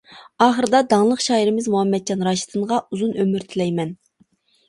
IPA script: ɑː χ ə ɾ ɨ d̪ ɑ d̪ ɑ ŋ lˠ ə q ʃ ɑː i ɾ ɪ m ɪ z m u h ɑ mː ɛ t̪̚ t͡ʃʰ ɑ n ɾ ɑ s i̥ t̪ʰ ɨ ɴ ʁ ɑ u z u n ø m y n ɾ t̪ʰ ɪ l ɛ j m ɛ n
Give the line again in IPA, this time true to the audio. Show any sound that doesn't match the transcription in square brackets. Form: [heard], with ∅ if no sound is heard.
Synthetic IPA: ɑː χ ə ɾ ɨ d̪ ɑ d̪ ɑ ŋ lˠ ə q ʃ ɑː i ɾ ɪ m ɪ z m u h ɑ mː ɛ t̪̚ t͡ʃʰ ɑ n ɾ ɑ [ʃ] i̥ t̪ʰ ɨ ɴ ʁ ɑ u z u n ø m y [∅] ɾ t̪ʰ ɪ l ɛ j m ɛ n